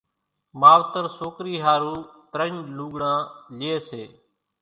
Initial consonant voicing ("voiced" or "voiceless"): voiced